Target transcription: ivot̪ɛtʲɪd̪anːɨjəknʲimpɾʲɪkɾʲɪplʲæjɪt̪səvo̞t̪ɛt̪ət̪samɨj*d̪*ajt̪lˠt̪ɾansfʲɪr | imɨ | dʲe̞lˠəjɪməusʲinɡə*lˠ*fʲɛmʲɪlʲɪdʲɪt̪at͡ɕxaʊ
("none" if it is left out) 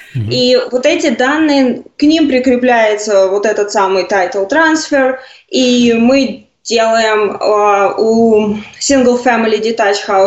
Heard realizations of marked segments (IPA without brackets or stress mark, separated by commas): t̪, lˠ